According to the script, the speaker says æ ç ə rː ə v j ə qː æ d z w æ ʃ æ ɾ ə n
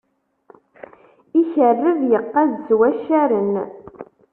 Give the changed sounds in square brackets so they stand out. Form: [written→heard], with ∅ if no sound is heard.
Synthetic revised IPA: [æ→i] ç ə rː ə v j ə qː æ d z w æ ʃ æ ɾ ə n

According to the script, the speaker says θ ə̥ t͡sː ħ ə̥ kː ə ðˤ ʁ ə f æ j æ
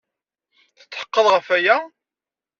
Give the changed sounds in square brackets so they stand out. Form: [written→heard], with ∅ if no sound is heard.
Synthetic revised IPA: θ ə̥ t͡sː ħ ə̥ [kː→qː] ə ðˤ ʁ ə f æ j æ

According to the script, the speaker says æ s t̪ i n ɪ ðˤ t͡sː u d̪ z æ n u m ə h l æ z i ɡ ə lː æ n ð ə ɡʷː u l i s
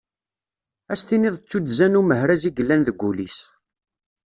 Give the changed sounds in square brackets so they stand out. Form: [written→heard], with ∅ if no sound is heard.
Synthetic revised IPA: æ s t̪ i n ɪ ðˤ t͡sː u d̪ z æ n u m ə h [l→ɾ] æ z i ɡ ə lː æ n ð ə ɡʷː u l i s

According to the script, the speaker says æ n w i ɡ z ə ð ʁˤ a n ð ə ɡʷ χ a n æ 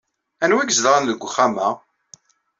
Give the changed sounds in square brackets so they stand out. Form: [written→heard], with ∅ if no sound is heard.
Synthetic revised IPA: æ n w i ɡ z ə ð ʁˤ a n ð ə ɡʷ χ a [n→m] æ

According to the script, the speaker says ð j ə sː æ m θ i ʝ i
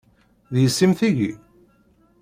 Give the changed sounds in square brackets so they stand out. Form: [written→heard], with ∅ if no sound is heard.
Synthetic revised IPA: ð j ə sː [æ→i] m θ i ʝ i

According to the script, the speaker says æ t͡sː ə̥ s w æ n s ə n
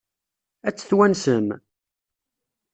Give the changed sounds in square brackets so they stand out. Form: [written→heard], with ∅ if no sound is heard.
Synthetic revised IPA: æ t͡sː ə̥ [s→θ] w æ n s ə [n→m]

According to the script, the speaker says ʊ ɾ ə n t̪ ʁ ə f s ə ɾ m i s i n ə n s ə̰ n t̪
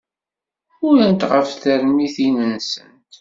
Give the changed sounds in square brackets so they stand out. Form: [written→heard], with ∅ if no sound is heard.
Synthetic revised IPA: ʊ ɾ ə n t̪ ʁ ə f [s→θ] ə ɾ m i [s→θ] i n ə n s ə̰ n t̪

